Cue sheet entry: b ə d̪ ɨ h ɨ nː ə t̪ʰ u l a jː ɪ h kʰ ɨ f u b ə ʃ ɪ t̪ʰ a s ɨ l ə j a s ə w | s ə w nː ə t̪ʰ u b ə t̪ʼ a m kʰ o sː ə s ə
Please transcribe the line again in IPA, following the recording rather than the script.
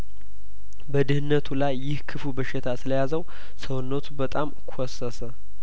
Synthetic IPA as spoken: b ə d̪ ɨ h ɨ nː ə t̪ʰ u l a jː ɪ h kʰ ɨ f u b ə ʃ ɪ t̪ʰ a s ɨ l ə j a z ə w | s ə w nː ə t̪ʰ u b ə t̪ʼ a m kʰ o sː ə s ə

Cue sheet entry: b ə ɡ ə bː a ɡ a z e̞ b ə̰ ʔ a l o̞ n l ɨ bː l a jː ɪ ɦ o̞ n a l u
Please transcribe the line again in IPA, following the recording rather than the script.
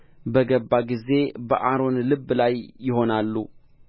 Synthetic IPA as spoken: b ə ɡ ə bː a ɡ i z e̞ b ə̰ ʔ a ɾ o̞ n l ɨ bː l a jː ɪ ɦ o̞ n a lː u

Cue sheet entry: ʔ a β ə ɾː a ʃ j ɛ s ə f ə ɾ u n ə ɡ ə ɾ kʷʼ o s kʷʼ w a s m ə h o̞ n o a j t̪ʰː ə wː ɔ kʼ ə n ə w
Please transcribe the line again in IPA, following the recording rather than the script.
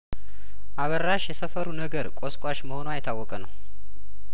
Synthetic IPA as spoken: ʔ a β ə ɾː a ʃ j ɛ s ə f ə ɾ u n ə ɡ ə ɾ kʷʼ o s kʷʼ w a ʃ m ə h o̞ n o a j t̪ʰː a wː ɔ kʼ ə n ə w

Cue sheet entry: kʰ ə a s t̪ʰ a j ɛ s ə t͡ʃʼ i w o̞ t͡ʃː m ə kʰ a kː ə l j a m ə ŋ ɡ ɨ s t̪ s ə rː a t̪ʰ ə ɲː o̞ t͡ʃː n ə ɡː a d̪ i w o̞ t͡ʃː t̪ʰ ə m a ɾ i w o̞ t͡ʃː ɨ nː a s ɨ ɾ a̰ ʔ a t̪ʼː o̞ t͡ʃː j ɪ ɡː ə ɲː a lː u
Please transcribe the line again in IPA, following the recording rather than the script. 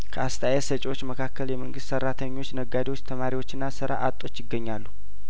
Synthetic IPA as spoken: kʰ ə a s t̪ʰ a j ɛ s ə t͡ʃʼ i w o̞ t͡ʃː m ə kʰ a kː ə l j ɛ m ə ŋ ɡ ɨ s t̪ s ə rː a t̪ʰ ə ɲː o̞ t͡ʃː n ə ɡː a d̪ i w o̞ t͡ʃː t̪ʰ ə m a ɾ i w o̞ t͡ʃː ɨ nː a s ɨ ɾ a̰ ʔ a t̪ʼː o̞ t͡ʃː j ɪ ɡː ə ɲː a lː u

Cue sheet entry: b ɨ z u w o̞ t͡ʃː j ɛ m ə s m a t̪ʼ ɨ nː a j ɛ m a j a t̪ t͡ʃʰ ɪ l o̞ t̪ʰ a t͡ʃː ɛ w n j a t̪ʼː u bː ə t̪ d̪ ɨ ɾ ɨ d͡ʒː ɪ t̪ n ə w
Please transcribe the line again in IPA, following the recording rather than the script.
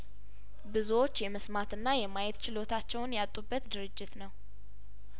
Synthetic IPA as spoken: b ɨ z u w o̞ t͡ʃː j ɛ m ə s m a t̪ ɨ nː a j ɛ m a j ɛ t̪ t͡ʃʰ ɪ l o̞ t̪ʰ a t͡ʃː ɛ w n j a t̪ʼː u bː ə t̪ d̪ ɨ ɾ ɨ d͡ʒː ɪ t̪ n ə w

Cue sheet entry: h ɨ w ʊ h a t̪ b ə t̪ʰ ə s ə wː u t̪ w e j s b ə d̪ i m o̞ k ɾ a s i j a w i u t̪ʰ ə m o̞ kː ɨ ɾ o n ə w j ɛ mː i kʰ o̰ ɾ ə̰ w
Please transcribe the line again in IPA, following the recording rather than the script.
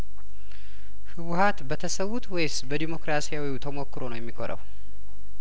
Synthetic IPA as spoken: h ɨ w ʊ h a t̪ b ə t̪ʰ ə s ə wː u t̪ w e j s b ə d̪ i m o̞ k ɾ a s i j a w i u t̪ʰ ə m o̞ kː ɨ ɾ o n ə w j ɛ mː i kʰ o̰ ɾ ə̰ w

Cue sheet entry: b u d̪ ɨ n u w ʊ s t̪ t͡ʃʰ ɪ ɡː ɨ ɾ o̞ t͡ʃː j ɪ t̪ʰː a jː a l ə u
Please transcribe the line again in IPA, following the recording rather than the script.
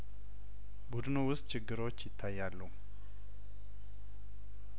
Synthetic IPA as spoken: b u d̪ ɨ n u w ʊ s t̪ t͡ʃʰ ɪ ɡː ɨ ɾ o̞ t͡ʃː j ɪ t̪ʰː a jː a lː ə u

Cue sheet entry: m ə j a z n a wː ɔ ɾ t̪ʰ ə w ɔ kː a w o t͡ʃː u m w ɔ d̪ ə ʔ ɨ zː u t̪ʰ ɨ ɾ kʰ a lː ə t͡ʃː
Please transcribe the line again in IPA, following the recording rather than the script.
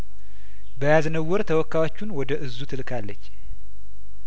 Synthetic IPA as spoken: b ə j a z n ə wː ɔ ɾ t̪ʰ ə w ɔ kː a w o t͡ʃː u n w ɔ d̪ ə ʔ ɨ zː u t̪ʰ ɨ l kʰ a lː ə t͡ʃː

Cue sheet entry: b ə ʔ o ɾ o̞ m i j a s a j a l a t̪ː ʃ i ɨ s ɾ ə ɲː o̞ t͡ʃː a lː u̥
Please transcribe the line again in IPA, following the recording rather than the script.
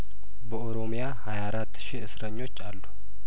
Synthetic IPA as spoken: b ə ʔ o ɾ o̞ m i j a h a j a ɾ a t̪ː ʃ i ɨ s ɾ ə ɲː o̞ t͡ʃː a lː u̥

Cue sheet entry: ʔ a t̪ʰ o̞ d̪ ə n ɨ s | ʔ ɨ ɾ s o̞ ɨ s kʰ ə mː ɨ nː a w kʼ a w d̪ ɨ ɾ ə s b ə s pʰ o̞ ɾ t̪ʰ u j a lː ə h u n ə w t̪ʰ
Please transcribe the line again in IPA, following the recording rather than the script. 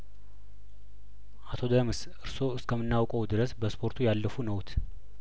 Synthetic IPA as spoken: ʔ a t̪ʰ o̞ d̪ ə m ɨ s | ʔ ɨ ɾ s o̞ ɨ s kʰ ə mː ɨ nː a w kʼ ə w d̪ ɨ ɾ ə s b ə s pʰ o̞ ɾ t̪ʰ u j a lː ə f u n ə w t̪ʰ

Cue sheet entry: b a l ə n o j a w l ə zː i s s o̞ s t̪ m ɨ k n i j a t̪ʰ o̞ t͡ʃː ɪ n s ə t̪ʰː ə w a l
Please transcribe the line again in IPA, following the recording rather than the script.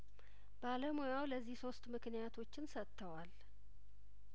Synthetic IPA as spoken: b a l ə m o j a w l ə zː i h s o̞ s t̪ m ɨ k n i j a t̪ʰ o̞ t͡ʃː ɪ n s ə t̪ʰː ə w a l

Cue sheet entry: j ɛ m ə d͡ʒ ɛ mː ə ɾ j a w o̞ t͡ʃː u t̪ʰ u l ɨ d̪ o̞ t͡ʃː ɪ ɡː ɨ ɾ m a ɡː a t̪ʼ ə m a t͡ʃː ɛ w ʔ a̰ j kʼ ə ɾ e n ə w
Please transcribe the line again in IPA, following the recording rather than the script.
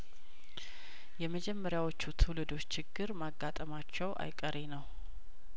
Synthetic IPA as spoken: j ɛ m ə d͡ʒ ɛ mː ə ɾ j a w o̞ t͡ʃː u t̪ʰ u l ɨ d̪ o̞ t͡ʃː ɪ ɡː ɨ ɾ m a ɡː a t̪ʼ ə m a t͡ʃː ɛ w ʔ a̰ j kʼ ə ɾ e n ə w

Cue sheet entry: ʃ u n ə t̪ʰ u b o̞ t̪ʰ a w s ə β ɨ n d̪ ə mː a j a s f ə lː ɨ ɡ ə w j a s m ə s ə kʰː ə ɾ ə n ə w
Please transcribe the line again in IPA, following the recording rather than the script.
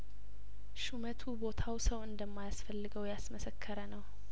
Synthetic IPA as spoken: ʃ u m ə t̪ʰ u b o̞ t̪ʰ a w s ə w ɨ n d̪ ə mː a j a s f ə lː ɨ ɡ ə w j a s m ə s ə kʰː ə ɾ ə n ə w

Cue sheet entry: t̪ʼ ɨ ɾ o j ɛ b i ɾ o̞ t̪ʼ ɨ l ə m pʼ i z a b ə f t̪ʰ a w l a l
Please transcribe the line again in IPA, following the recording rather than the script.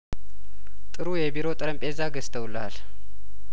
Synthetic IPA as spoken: t̪ʼ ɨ ɾ u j ɛ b i ɾ o̞ t̪ʼ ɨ ɾ ə m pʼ e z a ɡ ə s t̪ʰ ə w l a l

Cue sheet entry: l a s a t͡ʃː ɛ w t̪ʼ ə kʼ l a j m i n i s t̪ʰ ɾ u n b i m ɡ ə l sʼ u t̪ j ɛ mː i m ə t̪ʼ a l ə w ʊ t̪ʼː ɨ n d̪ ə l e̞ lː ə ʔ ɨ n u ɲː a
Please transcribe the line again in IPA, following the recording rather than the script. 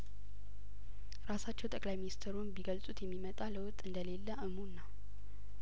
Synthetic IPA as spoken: ɾ a s a t͡ʃː ɛ w t̪ʼ ə kʼ l a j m i n i s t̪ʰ ɾ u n b i ɡ ə l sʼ u t̪ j ɛ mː i m ə t̪ʼ a l ə w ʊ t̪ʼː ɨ n d̪ ə l e̞ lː ə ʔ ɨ m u nː a

